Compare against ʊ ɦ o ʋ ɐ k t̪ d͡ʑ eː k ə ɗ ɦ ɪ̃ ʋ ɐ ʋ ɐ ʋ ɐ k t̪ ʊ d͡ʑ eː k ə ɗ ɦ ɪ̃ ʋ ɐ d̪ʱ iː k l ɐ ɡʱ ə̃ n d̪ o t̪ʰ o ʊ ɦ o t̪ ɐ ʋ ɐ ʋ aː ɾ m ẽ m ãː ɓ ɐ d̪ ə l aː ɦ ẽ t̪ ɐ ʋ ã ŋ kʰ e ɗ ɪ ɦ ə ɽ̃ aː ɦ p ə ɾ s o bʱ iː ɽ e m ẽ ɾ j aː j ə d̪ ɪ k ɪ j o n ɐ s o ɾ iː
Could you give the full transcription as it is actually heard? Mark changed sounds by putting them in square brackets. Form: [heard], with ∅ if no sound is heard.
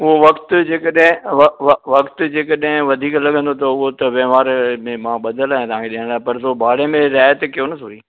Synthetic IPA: ʊ ɦ o ʋ ɐ k t̪ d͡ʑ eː k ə ɗ ɦ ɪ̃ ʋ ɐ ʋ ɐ ʋ ɐ k t̪ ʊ d͡ʑ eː k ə ɗ ɦ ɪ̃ ʋ ɐ d̪ʱ iː k l ɐ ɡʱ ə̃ n d̪ o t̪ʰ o ʊ ɦ o t̪ ɐ ʋ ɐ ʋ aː ɾ m ẽ m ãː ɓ ɐ d̪ ə l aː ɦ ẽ t̪ ɐ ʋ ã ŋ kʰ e ɗ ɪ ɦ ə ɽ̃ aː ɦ p [ɐ] ɾ s o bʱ [aː] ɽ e m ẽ ɾ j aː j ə [t̪] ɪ k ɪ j o n ɐ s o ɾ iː

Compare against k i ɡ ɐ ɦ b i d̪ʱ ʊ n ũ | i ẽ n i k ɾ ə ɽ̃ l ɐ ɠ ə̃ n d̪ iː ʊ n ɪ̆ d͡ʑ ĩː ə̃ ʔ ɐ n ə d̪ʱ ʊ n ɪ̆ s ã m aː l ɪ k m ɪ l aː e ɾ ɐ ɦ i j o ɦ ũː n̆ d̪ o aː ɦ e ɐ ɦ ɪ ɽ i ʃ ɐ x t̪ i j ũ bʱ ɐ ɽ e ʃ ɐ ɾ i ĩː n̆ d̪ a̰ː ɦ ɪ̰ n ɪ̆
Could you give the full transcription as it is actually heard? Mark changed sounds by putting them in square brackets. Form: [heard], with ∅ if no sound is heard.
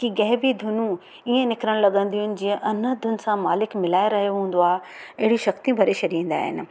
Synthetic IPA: k i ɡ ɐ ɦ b i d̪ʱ ʊ n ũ | i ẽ n [ɪ] k ɾ ə ɽ̃ l ɐ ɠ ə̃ n d̪ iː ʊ n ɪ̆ d͡ʑ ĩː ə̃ ʔ ɐ n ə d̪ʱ ʊ n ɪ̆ s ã m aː l ɪ k m ɪ l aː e ɾ ɐ ɦ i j o ɦ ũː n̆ d̪ o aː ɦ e ɐ ɦ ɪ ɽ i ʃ ɐ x t̪ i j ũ bʱ ɐ [ɾ] e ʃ ɐ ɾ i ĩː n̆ d̪ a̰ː ɦ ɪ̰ n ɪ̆

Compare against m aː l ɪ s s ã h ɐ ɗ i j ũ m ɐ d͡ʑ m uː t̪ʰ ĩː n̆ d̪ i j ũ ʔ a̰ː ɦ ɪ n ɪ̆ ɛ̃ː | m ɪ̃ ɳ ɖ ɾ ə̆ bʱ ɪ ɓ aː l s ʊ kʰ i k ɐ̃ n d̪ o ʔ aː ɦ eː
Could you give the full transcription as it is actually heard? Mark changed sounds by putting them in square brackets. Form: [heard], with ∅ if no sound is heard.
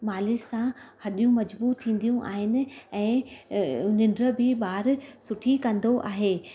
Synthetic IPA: m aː l ɪ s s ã h ɐ ɗ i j ũ m ɐ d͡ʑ [b] uː t̪ʰ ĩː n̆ d̪ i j ũ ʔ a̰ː ɦ ɪ n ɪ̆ ɛ̃ː | [n] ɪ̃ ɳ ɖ ɾ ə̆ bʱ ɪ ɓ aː [ɾ] s ʊ [ʈʰ] i k ɐ̃ n d̪ o ʔ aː ɦ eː

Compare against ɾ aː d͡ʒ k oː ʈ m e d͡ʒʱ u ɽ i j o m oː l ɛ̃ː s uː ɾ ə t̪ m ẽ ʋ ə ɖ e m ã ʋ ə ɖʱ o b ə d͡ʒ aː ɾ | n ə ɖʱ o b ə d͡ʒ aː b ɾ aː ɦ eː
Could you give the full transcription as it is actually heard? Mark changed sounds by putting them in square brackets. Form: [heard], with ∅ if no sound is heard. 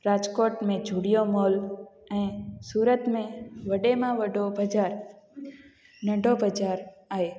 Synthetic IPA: ɾ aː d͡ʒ k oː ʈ m [ẽ] d͡ʒʱ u ɽ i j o m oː l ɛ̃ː s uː ɾ ə t̪ m ẽ ʋ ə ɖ e m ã ʋ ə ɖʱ o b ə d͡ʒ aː ɾ | n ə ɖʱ o b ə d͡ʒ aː [∅] ɾ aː ɦ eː

